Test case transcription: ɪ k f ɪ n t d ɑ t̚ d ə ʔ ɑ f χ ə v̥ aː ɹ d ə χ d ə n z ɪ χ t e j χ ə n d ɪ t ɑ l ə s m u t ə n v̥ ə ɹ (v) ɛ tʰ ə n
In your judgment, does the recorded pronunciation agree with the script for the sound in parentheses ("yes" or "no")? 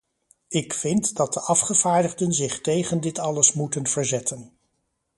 no